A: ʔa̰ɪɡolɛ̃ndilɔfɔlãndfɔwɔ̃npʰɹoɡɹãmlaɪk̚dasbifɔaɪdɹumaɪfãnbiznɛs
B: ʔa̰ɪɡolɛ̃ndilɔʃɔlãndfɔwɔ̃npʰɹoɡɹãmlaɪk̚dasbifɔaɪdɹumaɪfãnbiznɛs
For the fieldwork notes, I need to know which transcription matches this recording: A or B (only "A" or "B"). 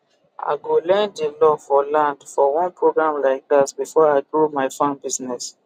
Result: A